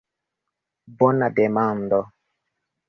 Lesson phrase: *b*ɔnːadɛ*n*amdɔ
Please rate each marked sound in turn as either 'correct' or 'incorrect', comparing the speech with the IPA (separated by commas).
correct, incorrect